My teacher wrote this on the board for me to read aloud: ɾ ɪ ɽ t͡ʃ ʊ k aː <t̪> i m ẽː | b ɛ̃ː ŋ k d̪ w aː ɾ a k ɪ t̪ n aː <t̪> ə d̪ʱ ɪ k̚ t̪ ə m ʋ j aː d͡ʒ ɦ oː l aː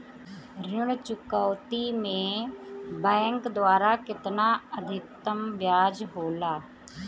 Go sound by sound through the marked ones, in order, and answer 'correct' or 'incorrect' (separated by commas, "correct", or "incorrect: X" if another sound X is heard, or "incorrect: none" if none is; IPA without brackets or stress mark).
correct, incorrect: none